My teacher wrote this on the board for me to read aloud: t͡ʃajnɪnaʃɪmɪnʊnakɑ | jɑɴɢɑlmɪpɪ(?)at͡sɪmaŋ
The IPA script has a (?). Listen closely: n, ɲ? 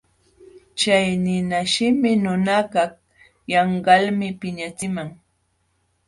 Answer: ɲ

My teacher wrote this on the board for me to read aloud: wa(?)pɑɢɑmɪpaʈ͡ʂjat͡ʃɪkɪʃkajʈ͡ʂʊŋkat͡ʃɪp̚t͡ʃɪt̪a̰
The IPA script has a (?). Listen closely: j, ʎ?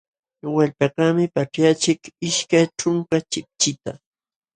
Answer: ʎ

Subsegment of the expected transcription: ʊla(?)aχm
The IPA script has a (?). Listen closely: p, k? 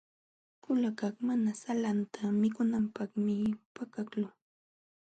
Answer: k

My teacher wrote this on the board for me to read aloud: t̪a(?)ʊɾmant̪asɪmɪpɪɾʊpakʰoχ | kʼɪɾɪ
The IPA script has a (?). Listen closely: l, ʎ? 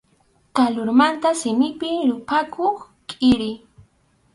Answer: l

